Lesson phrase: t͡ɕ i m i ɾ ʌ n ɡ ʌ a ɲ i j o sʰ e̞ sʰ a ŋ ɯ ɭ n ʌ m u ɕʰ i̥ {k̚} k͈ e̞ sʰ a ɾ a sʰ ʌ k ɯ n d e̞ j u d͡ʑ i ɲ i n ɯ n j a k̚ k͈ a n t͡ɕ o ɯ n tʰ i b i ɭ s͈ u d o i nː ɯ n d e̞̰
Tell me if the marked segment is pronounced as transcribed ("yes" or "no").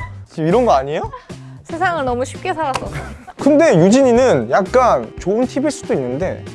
no